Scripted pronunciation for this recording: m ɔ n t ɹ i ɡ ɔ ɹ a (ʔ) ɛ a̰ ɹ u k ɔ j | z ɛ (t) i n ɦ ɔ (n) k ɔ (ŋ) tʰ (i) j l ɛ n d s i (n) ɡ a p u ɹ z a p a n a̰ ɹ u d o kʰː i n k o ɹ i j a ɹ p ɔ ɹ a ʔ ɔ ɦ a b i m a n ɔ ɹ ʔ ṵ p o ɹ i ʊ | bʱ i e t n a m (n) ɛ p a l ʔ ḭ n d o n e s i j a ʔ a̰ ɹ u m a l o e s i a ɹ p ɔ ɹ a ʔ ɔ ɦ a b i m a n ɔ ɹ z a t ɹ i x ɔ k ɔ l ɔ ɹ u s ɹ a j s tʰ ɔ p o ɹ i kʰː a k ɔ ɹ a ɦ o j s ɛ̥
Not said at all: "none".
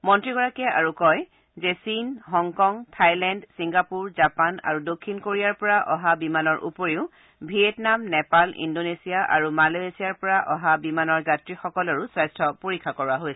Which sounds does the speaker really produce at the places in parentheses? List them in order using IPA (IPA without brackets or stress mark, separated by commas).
k, s, ŋ, ŋ, a, ŋ, n